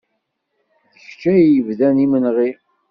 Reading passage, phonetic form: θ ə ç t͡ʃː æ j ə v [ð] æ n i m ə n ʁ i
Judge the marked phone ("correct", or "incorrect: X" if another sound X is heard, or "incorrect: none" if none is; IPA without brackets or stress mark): correct